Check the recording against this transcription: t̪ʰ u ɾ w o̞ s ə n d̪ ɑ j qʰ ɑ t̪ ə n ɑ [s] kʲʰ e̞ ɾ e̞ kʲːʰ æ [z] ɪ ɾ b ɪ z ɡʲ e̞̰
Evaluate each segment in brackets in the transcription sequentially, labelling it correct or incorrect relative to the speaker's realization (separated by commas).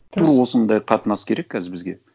correct, correct